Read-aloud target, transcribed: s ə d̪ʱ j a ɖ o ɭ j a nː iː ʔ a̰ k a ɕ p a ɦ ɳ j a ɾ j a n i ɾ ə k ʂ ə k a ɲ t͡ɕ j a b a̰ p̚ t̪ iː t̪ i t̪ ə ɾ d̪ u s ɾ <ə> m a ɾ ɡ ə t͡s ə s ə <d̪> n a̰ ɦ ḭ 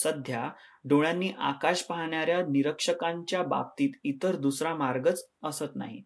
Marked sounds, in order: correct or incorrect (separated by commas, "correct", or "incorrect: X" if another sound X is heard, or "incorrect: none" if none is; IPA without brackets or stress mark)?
incorrect: a, incorrect: t̪